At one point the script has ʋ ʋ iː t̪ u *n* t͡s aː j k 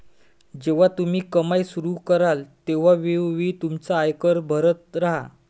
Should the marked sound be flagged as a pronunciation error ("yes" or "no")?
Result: yes